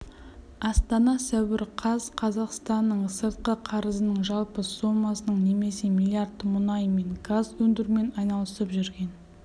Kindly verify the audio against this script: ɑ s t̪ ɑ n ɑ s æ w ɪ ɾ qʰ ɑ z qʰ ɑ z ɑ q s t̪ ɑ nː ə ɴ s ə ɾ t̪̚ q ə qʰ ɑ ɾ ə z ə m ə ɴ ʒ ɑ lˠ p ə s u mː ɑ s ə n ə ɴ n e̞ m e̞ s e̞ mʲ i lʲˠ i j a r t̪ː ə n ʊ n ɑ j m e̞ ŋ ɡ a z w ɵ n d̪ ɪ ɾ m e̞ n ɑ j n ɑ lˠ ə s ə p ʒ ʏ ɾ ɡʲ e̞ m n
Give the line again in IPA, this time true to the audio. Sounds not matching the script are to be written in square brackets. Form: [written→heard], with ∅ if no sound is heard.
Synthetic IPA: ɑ s t̪ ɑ n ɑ s æ w ɪ ɾ qʰ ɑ z qʰ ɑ z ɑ q s t̪ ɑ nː ə ɴ s ə ɾ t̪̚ q ə qʰ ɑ ɾ ə z ə [m→n] ə ɴ ʒ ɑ lˠ p ə s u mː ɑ s ə n ə ɴ n e̞ m e̞ s e̞ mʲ i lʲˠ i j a r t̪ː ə [n→m] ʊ n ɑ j m e̞ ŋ ɡ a z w ɵ n d̪ ɪ ɾ m e̞ n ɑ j n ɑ lˠ ə s ə p ʒ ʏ ɾ ɡʲ e̞ [m→∅] n